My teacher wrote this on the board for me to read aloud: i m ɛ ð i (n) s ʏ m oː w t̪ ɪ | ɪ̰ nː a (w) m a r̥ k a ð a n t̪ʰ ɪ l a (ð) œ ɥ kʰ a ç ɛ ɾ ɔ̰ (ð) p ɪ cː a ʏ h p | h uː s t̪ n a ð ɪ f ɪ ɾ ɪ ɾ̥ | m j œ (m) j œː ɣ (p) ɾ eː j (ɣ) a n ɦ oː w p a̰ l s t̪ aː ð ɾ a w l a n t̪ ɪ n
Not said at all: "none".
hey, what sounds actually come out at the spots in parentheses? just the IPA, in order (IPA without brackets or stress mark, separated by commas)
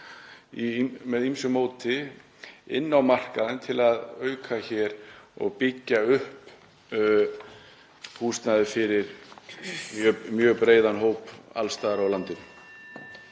m, w, ð, ɣ, m, p, ð